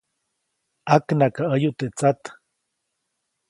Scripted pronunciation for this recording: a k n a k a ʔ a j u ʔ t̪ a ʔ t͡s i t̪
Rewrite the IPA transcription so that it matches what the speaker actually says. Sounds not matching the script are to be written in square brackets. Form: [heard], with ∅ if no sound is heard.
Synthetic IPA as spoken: a k n a k a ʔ [ə] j u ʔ t̪ [e] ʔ t͡s [a] t̪